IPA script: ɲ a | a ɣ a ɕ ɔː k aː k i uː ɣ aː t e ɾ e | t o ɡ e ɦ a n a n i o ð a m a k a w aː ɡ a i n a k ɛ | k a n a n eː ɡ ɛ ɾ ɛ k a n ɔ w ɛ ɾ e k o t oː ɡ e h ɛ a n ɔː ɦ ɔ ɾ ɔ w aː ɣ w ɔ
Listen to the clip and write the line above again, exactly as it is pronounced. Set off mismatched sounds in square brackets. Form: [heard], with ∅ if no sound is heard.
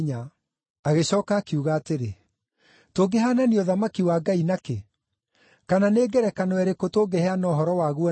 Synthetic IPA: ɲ a | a ɣ [e] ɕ ɔː k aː k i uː ɣ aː t e ɾ e | t o ɡ e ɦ a n a n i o ð a m a k [i] w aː ɡ a i n a k [e] | k a n a n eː ɡ ɛ ɾ ɛ k a n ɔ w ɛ ɾ e k o t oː ɡ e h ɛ a n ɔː ɦ ɔ ɾ ɔ w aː ɣ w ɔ